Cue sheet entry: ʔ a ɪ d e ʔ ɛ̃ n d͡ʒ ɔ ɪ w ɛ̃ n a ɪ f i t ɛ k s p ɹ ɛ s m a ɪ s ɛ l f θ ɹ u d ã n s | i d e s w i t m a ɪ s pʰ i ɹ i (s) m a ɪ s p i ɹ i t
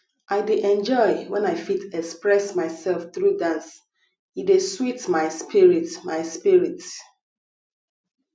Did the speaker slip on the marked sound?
yes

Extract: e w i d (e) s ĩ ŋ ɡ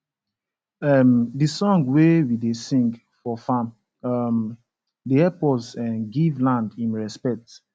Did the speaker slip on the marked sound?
no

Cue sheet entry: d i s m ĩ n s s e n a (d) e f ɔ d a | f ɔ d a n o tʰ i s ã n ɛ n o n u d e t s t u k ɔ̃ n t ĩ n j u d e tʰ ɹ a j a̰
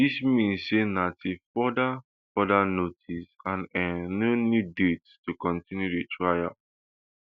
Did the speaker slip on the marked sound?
yes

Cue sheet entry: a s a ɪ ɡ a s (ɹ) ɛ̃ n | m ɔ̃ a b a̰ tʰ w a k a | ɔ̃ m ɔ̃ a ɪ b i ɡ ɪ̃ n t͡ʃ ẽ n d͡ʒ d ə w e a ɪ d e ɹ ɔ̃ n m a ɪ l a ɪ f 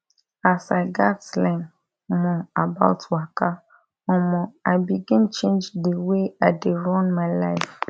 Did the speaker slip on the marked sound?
yes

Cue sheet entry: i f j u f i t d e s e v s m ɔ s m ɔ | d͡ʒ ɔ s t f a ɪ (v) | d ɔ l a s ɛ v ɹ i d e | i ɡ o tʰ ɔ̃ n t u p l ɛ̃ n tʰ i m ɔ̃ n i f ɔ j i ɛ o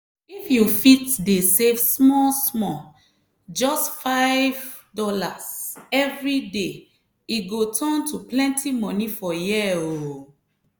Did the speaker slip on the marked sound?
no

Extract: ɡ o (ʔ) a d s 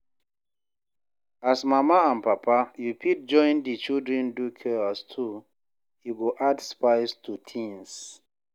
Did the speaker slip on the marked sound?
no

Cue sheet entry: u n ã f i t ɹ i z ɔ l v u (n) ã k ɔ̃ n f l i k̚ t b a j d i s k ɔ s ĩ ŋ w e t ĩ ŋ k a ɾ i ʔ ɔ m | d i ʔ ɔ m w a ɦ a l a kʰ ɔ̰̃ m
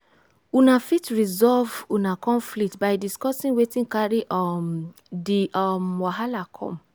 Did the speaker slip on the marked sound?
no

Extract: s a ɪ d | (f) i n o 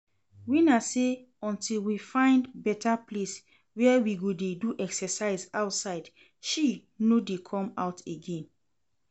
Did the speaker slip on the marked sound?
yes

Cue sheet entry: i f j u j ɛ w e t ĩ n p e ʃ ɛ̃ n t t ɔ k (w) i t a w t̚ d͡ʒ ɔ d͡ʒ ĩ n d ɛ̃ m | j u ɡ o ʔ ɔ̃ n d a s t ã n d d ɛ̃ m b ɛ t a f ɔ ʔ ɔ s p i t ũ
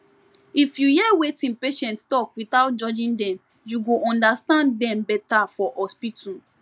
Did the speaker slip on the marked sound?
no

